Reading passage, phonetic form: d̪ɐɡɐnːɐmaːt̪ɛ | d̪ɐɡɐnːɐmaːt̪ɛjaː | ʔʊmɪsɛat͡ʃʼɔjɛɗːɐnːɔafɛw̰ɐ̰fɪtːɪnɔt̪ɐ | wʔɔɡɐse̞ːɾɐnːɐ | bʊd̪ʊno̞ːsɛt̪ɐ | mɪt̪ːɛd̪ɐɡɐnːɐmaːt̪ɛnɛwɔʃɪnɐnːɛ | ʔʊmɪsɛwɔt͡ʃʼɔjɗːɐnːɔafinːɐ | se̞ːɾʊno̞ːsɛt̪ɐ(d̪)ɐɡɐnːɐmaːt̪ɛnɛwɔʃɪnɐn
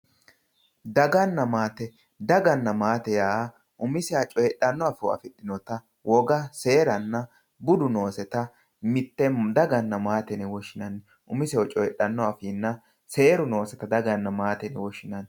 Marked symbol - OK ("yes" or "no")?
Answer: yes